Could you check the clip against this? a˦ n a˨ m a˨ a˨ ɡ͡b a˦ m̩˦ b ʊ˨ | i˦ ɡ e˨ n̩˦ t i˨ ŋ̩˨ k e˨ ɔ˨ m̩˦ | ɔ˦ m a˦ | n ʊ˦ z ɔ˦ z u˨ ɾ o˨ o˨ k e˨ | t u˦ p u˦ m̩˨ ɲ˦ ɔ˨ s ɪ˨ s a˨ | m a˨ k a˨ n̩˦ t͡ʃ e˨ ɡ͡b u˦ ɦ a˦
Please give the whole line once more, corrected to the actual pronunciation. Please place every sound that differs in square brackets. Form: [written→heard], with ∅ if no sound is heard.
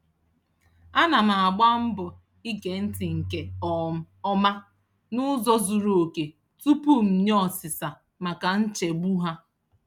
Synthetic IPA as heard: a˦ n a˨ m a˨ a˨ ɡ͡b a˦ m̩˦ b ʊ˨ | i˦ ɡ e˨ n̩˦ t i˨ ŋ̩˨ k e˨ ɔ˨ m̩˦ | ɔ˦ m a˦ | n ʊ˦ z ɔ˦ z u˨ ɾ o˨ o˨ k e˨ | t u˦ p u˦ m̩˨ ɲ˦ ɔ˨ s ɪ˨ s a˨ | m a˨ k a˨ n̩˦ t͡ʃ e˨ ɡ͡b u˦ ɦ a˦